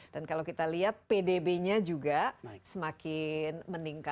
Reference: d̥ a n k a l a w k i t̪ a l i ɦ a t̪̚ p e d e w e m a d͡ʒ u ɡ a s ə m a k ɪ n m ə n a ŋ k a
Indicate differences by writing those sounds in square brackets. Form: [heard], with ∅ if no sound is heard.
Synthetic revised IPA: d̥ a n k a l a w k i t̪ a l i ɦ a t̪̚ p e d e [b] e [ɲ] a d͡ʒ u ɡ a s ə m a k ɪ n m ə n [i] ŋ k a